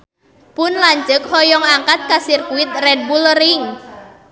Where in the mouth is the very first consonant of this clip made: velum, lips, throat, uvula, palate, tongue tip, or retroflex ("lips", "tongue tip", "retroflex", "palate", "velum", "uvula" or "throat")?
lips